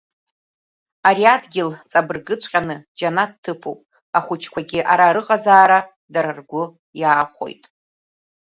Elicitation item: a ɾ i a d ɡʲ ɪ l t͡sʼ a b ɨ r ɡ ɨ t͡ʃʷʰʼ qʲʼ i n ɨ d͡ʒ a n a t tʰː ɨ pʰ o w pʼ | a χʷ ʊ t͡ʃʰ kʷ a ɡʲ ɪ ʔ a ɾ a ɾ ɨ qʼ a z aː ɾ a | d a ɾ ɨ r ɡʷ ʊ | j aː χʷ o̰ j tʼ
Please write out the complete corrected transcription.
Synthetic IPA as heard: a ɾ i a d ɡʲ ɪ l t͡sʼ a b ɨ r ɡ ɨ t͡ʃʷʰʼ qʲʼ a n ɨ d͡ʒ a n a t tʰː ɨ pʰ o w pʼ | a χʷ ʊ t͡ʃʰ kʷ a ɡʲ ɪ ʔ a ɾ a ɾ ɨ qʼ a z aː ɾ a | d a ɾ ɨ r ɡʷ ʊ | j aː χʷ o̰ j tʼ